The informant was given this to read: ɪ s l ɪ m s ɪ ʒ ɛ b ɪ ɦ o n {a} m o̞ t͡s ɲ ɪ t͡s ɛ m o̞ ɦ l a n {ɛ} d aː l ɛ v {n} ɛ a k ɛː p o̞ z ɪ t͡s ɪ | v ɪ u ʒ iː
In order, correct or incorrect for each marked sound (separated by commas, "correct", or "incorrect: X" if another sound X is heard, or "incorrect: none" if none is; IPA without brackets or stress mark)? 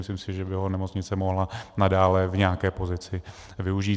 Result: incorrect: ɛ, incorrect: a, incorrect: ɲ